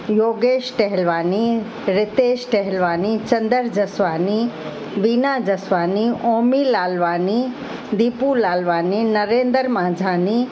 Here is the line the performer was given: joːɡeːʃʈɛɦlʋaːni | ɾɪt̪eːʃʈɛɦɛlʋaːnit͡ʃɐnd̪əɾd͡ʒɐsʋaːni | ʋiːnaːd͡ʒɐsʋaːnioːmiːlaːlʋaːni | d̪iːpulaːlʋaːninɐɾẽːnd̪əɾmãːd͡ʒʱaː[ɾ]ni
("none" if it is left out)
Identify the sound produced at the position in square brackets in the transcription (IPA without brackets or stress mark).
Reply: none